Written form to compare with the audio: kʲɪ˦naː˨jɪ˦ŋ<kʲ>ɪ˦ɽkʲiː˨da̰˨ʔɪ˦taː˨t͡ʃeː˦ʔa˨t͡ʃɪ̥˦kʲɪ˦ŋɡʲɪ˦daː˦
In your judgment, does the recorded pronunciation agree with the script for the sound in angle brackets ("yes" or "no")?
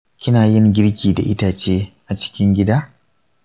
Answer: no